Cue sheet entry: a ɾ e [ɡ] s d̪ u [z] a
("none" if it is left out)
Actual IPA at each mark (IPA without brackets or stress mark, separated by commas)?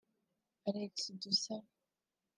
k, s